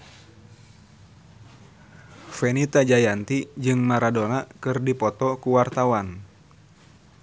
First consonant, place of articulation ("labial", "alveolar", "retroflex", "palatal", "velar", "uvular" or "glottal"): labial